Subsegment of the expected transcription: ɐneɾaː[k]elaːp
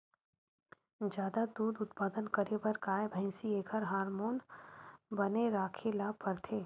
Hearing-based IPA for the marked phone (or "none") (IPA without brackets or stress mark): kʰ